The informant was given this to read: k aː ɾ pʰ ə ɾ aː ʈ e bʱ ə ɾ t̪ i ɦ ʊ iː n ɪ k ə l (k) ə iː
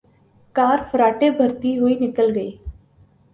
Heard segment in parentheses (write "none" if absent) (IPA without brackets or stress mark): ɡ